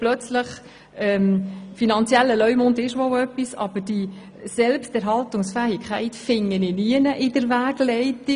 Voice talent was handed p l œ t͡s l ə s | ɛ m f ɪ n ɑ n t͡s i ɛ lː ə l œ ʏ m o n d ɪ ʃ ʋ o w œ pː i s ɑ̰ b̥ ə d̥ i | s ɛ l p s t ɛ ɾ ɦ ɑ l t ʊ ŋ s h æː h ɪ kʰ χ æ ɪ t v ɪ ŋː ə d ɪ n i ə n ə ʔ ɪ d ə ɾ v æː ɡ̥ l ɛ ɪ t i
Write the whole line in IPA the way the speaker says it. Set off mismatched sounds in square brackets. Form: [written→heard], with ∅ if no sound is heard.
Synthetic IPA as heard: p l œ t͡s l ə [s→χ] | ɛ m f [ɪ→i] n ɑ n t͡s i ɛ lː ə l œ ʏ m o n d ɪ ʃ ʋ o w œ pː i s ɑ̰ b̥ ə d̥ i | s ɛ l p s t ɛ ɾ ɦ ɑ l t ʊ ŋ s [h→f] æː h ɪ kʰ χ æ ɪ t [v→f] ɪ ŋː ə [d→n] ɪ n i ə n ə ʔ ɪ d ə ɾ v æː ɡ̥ l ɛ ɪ t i